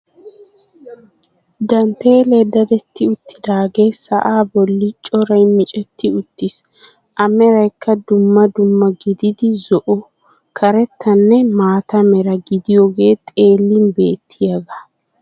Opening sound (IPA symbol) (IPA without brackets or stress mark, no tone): d̪